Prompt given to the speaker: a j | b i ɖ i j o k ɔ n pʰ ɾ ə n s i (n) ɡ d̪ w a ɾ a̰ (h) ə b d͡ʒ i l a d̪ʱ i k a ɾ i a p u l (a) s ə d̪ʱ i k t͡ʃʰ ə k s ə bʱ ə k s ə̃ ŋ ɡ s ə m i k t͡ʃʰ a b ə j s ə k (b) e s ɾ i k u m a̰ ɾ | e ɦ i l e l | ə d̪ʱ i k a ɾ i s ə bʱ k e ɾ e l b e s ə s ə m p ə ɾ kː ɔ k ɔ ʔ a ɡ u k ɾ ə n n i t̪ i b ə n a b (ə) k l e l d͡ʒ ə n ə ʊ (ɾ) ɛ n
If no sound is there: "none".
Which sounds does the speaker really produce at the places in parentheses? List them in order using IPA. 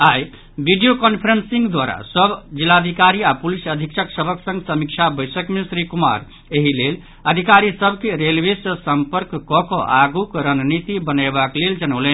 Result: ŋ, s, i, m, a, l

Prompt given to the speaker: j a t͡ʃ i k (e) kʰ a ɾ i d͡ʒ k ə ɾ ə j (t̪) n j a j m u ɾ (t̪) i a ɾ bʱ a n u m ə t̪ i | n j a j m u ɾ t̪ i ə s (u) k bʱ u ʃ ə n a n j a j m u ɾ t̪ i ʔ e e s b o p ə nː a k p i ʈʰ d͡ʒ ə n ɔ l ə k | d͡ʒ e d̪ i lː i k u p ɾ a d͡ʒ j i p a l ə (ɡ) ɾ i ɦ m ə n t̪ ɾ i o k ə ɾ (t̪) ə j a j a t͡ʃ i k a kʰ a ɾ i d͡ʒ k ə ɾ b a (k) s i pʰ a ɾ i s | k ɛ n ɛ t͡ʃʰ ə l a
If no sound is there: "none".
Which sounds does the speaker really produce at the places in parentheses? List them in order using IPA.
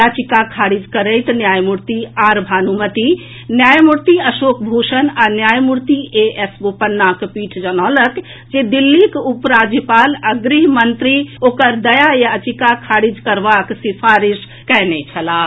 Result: a, t̪, t̪, o, ɡ, d̪, k

